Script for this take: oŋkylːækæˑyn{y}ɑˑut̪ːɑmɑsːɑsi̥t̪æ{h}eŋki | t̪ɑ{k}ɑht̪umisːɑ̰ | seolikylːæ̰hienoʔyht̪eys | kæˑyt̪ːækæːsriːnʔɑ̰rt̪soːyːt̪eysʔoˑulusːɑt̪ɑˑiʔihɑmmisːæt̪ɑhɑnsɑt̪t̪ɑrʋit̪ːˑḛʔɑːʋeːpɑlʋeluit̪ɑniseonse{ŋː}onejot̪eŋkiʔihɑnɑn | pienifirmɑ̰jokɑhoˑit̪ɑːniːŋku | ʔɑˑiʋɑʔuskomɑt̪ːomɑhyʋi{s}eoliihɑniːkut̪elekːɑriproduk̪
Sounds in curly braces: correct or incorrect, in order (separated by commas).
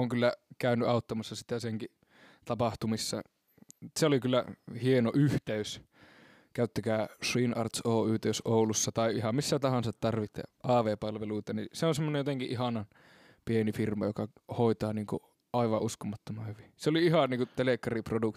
correct, incorrect, incorrect, incorrect, correct